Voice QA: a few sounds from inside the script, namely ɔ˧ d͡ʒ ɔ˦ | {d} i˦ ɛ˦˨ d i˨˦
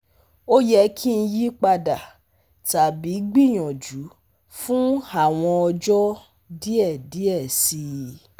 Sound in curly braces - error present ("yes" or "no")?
no